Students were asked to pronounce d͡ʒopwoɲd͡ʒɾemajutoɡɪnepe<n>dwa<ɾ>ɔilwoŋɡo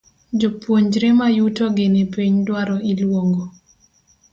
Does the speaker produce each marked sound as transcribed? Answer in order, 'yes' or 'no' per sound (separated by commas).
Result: no, yes